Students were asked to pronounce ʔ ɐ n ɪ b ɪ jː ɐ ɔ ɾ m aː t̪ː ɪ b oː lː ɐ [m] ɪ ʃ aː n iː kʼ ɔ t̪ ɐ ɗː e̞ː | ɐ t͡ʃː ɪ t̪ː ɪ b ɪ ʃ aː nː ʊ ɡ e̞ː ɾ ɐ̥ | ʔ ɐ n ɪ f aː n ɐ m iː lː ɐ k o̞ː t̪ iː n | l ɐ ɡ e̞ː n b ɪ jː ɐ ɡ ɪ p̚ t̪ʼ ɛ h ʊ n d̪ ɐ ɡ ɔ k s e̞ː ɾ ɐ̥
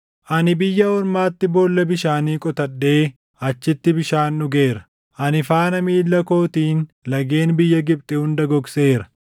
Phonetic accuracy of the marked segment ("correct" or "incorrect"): incorrect